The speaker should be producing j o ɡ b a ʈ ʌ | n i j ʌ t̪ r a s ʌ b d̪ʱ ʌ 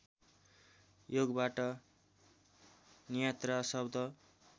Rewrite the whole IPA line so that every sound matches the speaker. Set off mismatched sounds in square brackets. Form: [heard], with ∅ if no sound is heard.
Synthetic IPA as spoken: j o ɡ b a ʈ ʌ | n i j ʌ t̪ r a s ʌ b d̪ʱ ʌ